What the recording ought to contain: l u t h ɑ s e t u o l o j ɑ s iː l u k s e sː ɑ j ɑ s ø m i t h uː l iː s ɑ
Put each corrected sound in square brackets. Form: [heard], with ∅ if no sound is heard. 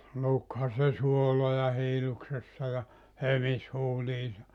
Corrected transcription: l u [k] h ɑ s e [s] u o l o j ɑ [h] iː l u k s e sː ɑ j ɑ [h] ø m i [s] h uː l iː s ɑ